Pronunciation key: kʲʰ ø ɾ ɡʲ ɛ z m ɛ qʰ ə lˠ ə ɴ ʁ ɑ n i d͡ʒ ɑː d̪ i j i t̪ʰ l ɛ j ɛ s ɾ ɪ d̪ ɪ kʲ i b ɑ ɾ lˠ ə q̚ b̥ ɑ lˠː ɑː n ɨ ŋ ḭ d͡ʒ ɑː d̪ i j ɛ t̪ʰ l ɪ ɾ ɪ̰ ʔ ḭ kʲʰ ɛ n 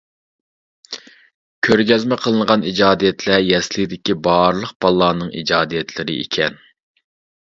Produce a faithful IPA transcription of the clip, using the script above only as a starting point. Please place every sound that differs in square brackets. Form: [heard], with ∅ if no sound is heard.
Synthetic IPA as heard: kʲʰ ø ɾ ɡʲ ɛ z m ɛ qʰ ə lˠ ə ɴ ʁ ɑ n i d͡ʒ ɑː d̪ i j [ɛ] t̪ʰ l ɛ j ɛ s [l] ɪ d̪ ɪ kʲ i b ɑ ɾ lˠ ə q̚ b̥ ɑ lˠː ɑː n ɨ ŋ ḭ d͡ʒ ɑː d̪ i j ɛ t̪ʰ l ɪ ɾ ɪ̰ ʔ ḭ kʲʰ ɛ n